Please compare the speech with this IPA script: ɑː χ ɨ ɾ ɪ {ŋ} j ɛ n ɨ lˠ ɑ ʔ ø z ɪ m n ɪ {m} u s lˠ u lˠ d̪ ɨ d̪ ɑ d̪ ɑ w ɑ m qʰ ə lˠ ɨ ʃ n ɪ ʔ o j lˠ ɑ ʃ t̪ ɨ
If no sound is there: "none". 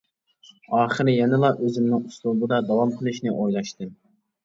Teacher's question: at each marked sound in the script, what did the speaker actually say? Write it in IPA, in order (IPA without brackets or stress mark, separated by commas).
none, ŋ